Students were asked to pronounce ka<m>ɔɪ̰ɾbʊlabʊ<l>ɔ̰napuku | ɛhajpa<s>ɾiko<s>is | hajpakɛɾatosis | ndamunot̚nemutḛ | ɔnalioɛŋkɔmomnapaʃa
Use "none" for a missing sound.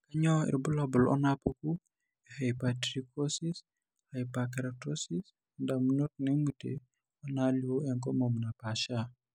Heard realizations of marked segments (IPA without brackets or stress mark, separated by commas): ɲ, l, t, s